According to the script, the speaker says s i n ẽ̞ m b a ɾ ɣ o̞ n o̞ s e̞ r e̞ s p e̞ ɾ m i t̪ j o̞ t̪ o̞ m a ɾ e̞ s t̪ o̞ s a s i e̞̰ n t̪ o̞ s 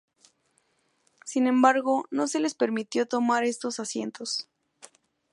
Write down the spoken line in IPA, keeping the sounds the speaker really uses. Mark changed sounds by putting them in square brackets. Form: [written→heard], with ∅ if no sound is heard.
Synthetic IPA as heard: s i n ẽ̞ m b a ɾ ɣ o̞ n o̞ s e̞ [r→l] e̞ s p e̞ ɾ m i t̪ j o̞ t̪ o̞ m a ɾ e̞ s t̪ o̞ s a s [i→j] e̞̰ n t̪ o̞ s